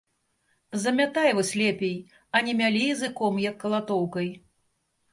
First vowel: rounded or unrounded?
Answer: unrounded